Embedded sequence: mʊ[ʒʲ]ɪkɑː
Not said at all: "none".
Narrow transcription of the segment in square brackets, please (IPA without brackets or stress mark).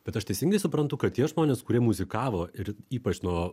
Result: zʲ